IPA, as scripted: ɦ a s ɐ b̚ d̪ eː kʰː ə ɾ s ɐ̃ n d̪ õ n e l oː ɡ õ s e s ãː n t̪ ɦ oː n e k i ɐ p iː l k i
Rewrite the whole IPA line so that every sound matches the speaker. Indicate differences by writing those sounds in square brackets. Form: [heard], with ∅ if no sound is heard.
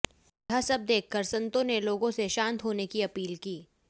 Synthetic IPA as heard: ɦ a s ɐ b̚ d̪ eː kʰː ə ɾ s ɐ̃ n [t̪] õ n e l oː ɡ õ s e [ʃ] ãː n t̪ ɦ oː n e k i ɐ p iː l k [iː]

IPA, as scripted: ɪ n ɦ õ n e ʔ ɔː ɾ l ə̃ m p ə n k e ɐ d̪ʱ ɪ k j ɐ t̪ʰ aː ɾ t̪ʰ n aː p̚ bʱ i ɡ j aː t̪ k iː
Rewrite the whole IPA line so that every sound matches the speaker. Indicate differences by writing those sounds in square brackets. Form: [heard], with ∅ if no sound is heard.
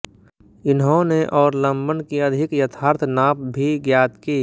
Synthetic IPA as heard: ɪ n ɦ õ n e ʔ ɔː ɾ l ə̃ m [b] ə n k [i] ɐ d̪ʱ ɪ k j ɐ t̪ʰ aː ɾ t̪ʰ n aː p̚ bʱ i ɡ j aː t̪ k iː

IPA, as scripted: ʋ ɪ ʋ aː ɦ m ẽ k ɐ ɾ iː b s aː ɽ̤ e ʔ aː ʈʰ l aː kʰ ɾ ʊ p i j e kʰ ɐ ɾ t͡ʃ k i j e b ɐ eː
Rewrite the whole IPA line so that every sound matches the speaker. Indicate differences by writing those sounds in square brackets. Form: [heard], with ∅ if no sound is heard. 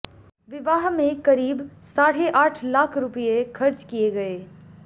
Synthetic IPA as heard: ʋ ɪ ʋ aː ɦ m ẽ k ɐ ɾ iː b s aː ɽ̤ e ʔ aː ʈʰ l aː kʰ ɾ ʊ p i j e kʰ ɐ ɾ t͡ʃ k i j e [ɡ] ɐ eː

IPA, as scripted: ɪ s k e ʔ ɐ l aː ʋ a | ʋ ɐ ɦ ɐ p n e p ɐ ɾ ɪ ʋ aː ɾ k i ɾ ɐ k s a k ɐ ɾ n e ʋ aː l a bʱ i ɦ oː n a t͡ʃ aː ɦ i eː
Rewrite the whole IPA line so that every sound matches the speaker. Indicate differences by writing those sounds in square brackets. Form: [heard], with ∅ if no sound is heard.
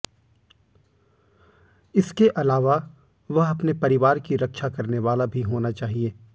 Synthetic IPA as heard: ɪ s k e ʔ ɐ l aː ʋ a | ʋ ɐ ɦ ɐ p n e p ɐ ɾ ɪ ʋ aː ɾ k i ɾ ɐ k [ʃ] a k ɐ ɾ n e ʋ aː l a bʱ i ɦ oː n a t͡ʃ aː ɦ i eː

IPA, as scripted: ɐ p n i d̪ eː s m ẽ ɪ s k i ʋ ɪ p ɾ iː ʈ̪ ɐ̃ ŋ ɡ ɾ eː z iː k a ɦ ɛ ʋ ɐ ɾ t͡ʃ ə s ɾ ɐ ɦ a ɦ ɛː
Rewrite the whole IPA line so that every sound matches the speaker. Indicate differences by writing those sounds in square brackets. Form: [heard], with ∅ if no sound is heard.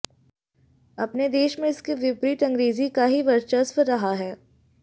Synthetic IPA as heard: ɐ p n [e] d̪ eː [ʃ] m ẽ ɪ s k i ʋ ɪ p ɾ iː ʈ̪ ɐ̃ ŋ ɡ ɾ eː z [i] k a ɦ [i] ʋ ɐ ɾ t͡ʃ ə s ɾ ɐ ɦ a ɦ ɛː

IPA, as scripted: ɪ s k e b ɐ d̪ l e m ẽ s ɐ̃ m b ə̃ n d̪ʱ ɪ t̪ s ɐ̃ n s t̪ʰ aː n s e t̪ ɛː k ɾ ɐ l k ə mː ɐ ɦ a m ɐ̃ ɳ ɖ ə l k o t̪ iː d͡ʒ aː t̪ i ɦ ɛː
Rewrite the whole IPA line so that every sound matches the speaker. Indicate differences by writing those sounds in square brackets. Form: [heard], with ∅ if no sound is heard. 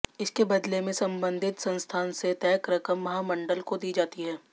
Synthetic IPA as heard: ɪ s k e b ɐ d̪ l e m ẽ s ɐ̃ m b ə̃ n d̪ʱ ɪ t̪ s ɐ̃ n s t̪ʰ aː n s e t̪ ɛː k ɾ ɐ [∅] k ə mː ɐ ɦ a m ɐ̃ ɳ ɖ ə l k o [d̪] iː d͡ʒ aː t̪ i ɦ ɛː

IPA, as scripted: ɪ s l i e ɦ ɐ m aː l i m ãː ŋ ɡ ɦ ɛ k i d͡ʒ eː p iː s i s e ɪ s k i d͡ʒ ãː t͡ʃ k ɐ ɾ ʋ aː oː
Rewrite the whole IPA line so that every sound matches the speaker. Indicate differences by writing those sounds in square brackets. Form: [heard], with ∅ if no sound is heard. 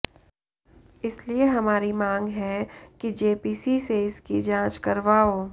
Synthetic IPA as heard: ɪ s l i e ɦ ɐ m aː [ɾ] i m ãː ŋ ɡ ɦ ɛ k i d͡ʒ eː p iː s i s e ɪ s k i d͡ʒ ãː t͡ʃ k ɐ ɾ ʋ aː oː

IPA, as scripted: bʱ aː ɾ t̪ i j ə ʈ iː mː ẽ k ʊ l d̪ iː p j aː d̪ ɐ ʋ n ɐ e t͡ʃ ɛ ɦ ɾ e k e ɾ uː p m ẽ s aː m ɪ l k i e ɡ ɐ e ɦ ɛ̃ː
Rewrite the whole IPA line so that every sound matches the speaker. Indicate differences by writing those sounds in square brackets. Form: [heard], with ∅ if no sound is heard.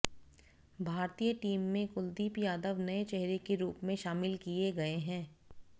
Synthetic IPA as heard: bʱ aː ɾ t̪ i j ə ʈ iː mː ẽ k ʊ l d̪ iː p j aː d̪ [ə] ʋ n ɐ e t͡ʃ ɛ ɦ ɾ e k e ɾ uː p m ẽ [ʃ] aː m ɪ l k i e ɡ ɐ e ɦ ɛ̃ː

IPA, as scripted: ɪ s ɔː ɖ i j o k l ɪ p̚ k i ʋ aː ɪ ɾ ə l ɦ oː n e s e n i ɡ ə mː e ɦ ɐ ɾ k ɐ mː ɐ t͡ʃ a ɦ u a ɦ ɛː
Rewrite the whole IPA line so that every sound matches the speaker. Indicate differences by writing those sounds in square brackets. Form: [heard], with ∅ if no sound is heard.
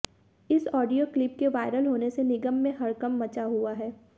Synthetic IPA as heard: ɪ s ɔː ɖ i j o k l ɪ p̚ k [e] ʋ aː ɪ ɾ ə l ɦ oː n e s e n [ɪ] ɡ ə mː [ẽ] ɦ ɐ ɾ k ɐ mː ɐ t͡ʃ a ɦ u a ɦ ɛː

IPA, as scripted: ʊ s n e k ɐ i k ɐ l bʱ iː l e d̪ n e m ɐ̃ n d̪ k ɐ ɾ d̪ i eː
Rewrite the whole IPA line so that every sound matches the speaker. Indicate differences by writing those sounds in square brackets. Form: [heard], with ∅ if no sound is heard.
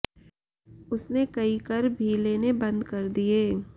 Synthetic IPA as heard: ʊ s n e k ɐ i k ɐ [ɾ] bʱ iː l e [∅] n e [b] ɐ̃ n d̪ k ɐ ɾ d̪ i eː

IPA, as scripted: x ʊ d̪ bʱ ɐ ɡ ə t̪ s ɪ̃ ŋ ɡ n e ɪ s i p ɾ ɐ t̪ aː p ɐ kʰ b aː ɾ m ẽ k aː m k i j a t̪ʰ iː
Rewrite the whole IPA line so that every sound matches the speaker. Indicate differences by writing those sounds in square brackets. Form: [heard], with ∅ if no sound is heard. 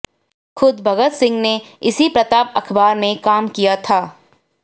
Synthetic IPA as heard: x ʊ d̪ bʱ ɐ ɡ ə t̪ s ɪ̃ ŋ ɡ n e ɪ s i p ɾ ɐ t̪ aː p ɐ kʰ b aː ɾ m ẽ k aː m k i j a t̪ʰ [aː]

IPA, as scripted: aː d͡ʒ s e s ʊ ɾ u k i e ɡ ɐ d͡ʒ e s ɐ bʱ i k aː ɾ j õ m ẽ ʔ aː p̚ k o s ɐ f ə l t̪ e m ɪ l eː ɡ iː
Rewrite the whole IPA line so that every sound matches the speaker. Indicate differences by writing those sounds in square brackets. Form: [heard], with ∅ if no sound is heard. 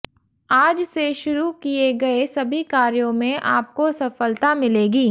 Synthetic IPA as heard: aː d͡ʒ s e [ʃ] ʊ ɾ u k i e ɡ ɐ [∅] e s ɐ bʱ i k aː ɾ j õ m ẽ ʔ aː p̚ k o s ɐ f ə l t̪ [a] m ɪ l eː ɡ iː

